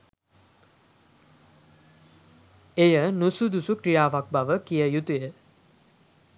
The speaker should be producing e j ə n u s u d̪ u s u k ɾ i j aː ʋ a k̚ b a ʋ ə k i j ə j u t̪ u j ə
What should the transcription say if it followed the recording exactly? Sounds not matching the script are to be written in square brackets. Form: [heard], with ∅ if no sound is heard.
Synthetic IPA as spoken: e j ə n u s u d̪ u s u k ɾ i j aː ʋ a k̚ b a ʋ ə k i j ə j u t̪ u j ə